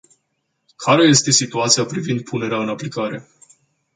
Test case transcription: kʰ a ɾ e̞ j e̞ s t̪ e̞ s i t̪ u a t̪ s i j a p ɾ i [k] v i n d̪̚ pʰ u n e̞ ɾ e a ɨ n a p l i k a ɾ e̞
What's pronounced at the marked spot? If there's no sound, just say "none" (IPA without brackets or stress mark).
none